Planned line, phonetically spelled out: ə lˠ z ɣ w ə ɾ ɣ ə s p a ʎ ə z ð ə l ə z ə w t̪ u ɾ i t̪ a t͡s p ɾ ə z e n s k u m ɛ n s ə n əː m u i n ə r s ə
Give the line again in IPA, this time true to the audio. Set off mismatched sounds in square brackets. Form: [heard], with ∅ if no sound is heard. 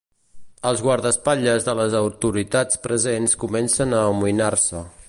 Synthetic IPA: ə lˠ z ɣ w [a] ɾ [ð] ə s p a ʎ ə z ð ə l ə z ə w t̪ u ɾ i t̪ a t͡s p ɾ ə z e n s k u m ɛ n s ə n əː m u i n [a] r s ə